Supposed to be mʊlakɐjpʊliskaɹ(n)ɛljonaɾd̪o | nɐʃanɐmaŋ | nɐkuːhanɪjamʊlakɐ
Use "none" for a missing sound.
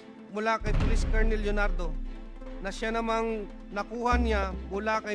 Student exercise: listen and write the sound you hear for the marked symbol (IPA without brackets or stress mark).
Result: n